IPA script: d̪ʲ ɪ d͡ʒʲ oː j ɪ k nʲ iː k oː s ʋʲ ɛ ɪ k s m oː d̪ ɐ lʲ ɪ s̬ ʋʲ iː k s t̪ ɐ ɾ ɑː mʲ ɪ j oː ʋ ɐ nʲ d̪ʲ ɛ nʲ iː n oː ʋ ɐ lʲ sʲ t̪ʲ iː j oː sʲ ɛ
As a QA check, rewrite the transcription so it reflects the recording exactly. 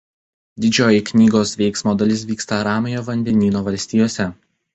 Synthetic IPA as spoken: d̪ʲ ɪ d͡ʒʲ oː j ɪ k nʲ iː ɡ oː s ʋʲ ɛ ɪ k s m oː d̪ ɐ lʲ ɪ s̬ ʋʲ iː k s t̪ ɐ ɾ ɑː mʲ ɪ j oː ʋ ɐ nʲ d̪ʲ ɛ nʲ iː n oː ʋ ɐ lʲ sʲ t̪ʲ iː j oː sʲ ɛ